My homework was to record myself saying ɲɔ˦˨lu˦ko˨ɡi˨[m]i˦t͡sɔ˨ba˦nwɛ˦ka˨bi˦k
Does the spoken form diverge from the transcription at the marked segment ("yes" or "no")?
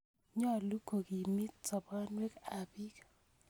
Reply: no